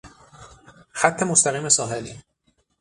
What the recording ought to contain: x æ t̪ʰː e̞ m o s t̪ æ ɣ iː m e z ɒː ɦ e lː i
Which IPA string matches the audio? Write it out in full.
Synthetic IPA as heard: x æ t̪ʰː e̞ m o s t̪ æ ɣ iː m e s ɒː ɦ e l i